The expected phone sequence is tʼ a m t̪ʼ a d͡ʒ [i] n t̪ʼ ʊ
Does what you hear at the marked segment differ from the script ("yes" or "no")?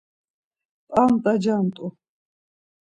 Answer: yes